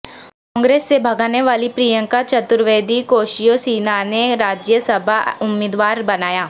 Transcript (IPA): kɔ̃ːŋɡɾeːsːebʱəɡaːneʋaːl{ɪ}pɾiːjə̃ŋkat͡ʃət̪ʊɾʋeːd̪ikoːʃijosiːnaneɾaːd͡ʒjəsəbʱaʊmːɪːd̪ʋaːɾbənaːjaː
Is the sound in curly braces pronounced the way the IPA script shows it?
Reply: no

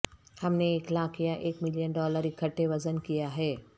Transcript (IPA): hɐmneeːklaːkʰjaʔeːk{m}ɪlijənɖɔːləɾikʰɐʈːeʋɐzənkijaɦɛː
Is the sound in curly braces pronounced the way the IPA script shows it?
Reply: yes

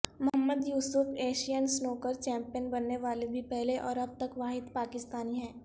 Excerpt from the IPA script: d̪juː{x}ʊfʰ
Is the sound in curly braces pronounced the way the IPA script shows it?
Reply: no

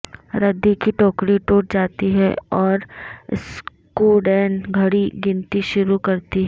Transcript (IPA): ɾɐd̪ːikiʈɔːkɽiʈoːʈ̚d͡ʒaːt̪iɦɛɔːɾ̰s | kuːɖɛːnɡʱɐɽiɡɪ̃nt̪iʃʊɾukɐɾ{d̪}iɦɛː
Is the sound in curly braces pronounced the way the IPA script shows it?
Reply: no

